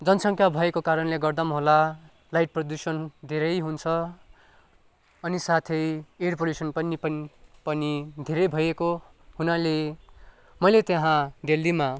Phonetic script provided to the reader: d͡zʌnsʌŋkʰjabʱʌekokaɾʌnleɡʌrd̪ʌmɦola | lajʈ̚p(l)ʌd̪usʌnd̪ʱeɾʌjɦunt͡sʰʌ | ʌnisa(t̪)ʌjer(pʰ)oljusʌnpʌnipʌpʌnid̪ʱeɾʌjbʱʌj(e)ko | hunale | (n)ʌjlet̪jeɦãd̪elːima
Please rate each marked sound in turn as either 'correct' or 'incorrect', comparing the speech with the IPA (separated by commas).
incorrect, incorrect, incorrect, correct, incorrect